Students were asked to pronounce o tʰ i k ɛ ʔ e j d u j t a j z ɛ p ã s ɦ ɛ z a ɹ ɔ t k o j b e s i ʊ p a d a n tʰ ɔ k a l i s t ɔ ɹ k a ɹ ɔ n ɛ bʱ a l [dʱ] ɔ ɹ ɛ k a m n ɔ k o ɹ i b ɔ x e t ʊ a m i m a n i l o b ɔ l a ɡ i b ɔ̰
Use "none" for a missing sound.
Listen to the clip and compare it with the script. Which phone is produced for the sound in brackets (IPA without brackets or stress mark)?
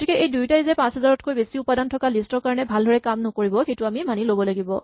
dʱ